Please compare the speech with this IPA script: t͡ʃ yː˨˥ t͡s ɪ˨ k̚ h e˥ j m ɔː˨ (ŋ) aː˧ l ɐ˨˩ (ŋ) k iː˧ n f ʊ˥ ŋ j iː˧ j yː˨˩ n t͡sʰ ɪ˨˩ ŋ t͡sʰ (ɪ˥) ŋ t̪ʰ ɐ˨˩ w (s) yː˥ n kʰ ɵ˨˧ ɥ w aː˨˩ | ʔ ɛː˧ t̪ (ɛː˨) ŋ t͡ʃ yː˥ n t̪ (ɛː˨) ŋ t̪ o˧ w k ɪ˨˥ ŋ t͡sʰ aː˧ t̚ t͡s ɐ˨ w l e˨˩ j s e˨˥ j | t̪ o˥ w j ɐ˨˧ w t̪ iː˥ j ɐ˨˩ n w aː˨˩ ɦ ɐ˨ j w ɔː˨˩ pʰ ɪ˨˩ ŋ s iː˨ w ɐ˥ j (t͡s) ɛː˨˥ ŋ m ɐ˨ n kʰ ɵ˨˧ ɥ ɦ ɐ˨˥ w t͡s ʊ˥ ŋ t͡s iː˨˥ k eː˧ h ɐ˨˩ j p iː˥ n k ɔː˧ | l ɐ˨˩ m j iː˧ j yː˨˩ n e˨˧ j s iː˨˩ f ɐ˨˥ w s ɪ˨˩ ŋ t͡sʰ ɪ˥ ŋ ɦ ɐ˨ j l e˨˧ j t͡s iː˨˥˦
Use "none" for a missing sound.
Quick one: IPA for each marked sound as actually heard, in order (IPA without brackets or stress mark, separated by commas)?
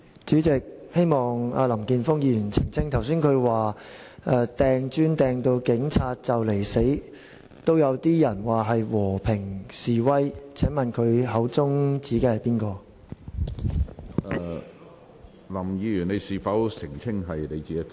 ŋ, m, ɪ˥, s, ɛː˨, ɛː˨, t͡sʰ